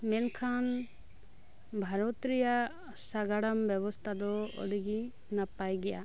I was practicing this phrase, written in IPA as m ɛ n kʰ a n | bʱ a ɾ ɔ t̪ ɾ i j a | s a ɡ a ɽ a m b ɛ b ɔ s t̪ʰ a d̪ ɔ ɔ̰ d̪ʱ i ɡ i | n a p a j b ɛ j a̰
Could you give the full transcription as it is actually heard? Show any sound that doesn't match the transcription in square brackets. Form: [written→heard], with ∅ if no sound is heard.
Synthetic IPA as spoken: m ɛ n kʰ a n | bʱ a ɾ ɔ t̪ ɾ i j a | s a ɡ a ɽ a m b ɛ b ɔ s t̪ʰ a d̪ ɔ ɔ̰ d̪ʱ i ɡ i | n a p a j [b→ɡ] ɛ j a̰